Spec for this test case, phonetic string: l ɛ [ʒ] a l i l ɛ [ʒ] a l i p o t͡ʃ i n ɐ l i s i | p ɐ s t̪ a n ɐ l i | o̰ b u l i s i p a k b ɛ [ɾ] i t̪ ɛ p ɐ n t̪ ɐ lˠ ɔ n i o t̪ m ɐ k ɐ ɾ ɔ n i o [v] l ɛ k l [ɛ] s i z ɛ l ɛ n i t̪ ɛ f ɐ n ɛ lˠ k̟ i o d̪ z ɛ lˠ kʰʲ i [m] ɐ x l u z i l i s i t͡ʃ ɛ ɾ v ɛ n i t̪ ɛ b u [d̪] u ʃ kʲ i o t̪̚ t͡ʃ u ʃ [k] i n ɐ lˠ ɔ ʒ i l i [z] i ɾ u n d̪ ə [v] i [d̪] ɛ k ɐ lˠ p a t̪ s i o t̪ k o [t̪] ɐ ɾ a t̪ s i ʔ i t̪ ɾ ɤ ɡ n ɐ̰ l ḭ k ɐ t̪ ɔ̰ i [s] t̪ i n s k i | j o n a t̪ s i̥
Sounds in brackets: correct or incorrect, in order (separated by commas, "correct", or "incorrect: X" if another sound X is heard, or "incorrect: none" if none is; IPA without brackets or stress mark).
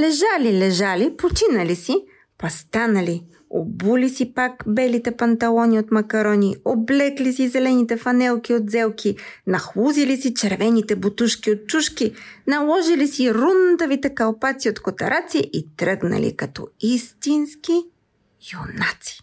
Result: correct, correct, incorrect: l, incorrect: b, incorrect: i, incorrect: n, incorrect: t̪, correct, incorrect: s, correct, incorrect: t̪, correct, correct